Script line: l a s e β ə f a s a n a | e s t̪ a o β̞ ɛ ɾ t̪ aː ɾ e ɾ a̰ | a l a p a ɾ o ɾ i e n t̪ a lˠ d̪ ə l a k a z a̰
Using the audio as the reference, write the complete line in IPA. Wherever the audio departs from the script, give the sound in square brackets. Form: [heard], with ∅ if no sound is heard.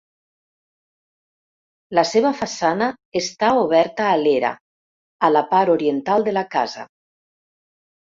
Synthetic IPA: l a s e β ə f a s a n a | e s t̪ a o β̞ ɛ ɾ t̪ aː [l] e ɾ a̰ | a l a p a ɾ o ɾ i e n t̪ a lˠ d̪ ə l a k a z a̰